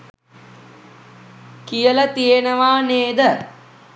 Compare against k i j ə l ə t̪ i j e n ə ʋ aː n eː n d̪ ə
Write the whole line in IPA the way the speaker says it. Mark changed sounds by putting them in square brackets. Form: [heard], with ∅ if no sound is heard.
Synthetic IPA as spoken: k i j ə l ə t̪ i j e n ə ʋ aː n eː [∅] d̪ ə